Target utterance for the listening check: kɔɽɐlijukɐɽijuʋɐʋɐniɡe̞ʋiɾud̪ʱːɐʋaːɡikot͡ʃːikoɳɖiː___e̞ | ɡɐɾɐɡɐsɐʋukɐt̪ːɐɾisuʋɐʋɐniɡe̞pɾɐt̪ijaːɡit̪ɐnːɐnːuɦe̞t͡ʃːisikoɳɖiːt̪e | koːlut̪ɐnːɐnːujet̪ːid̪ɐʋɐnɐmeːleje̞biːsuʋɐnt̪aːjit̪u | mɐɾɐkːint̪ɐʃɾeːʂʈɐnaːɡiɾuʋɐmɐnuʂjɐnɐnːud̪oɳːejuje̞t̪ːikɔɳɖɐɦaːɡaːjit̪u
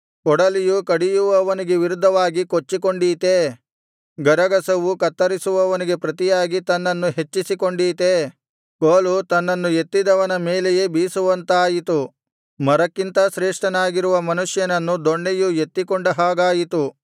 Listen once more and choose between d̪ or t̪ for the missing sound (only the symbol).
t̪